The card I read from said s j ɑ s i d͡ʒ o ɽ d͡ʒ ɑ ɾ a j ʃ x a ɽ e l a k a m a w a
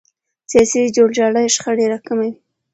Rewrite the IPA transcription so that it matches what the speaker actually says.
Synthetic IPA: s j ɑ s i d͡ʒ o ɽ d͡ʒ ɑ ɽ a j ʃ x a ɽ e ɾ a k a m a w i